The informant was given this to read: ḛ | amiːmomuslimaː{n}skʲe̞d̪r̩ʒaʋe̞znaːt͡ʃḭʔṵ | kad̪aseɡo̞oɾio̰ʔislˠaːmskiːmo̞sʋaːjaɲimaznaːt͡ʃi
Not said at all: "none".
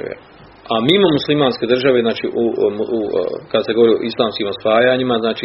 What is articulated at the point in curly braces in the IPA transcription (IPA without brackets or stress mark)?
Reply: n